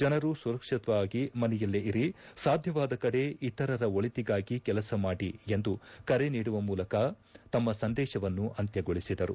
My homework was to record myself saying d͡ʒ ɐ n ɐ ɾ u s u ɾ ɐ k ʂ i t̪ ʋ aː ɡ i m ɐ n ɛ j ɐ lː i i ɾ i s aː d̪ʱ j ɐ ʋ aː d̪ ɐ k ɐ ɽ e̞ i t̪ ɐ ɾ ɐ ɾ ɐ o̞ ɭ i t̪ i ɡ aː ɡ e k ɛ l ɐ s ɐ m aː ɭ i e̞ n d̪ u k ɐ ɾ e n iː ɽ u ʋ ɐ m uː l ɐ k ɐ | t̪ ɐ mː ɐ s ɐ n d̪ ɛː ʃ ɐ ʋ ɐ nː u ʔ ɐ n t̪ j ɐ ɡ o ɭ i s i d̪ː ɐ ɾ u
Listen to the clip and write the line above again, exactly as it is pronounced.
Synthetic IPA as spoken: d͡ʒ ɐ n ɐ ɾ u s u ɾ ɐ k ʂ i t̪ ʋ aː ɡ i m ɐ n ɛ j ɐ lː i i ɾ i s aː d̪ʱ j ɐ ʋ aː d̪ ɐ k ɐ ɽ e̞ i t̪ ɐ ɾ ɐ ɾ ɐ o̞ ɭ i t̪ i ɡ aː ɡ i k ɛ l ɐ s ɐ m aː ɽ i e̞ n d̪ u k ɐ ɾ e n iː ɽ u ʋ ɐ m uː l ɐ k ɐ | t̪ ɐ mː ɐ s ɐ n d̪ ɛː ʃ ɐ ʋ ɐ nː u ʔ ɐ n t̪ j ɐ ɡ o ɭ i s i d̪ ɐ ɾ u